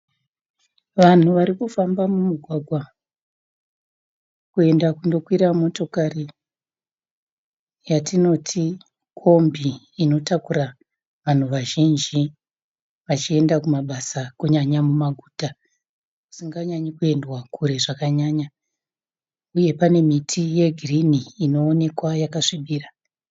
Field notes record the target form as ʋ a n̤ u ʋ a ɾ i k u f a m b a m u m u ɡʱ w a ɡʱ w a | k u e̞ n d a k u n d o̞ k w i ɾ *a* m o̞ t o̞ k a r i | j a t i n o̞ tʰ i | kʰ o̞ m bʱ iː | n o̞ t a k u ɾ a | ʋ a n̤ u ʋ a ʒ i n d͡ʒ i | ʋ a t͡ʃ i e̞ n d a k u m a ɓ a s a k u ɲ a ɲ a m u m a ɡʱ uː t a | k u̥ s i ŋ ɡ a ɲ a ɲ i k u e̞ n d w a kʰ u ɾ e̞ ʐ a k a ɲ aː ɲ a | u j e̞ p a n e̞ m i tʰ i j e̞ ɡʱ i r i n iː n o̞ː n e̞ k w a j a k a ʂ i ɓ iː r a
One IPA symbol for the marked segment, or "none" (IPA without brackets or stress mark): a